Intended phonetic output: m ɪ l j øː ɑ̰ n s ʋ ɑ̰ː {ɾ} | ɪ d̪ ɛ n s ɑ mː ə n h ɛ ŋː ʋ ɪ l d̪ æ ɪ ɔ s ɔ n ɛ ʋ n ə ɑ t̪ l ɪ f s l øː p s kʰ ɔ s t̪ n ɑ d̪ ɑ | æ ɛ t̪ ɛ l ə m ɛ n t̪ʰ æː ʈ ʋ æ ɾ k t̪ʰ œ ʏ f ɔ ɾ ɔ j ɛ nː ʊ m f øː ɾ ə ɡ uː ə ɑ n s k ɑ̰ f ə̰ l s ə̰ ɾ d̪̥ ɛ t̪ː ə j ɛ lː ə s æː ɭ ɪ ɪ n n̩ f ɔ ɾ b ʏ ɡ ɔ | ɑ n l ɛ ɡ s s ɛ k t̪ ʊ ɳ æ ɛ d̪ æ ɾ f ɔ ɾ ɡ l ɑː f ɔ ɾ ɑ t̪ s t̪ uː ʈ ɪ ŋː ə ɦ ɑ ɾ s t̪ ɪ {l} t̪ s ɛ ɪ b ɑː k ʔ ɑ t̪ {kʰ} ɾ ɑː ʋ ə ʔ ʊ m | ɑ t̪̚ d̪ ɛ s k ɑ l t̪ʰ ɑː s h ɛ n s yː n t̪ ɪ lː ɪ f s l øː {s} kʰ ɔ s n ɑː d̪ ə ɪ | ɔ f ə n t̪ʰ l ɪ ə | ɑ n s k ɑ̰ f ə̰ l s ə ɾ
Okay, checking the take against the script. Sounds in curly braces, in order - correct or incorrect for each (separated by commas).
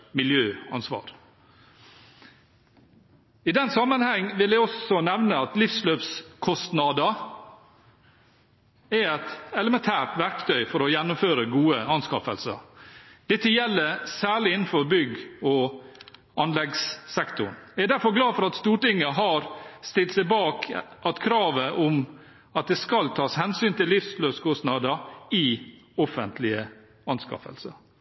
correct, correct, correct, correct